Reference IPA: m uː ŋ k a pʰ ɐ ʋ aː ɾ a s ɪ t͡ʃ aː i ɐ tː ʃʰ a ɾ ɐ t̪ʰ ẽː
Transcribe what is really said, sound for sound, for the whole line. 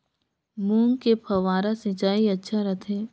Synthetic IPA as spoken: m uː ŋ k e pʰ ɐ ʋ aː ɾ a s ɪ t͡ʃ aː i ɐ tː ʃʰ a ɾ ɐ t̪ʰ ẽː